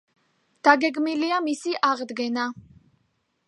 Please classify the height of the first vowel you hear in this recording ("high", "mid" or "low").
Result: low